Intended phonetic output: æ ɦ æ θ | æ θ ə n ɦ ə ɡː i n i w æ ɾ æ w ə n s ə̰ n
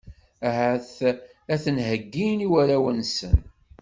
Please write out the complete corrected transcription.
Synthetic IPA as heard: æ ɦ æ θ | æ θ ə n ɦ ə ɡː i n i w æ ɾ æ w ə n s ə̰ n